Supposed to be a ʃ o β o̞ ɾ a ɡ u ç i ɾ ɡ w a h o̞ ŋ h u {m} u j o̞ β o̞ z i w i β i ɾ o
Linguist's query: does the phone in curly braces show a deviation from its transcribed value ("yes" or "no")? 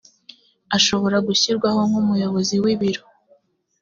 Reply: no